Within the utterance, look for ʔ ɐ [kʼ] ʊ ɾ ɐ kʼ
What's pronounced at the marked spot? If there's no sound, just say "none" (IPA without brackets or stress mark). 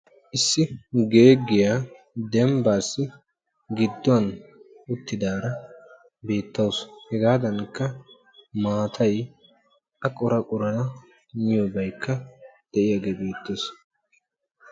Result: kʼ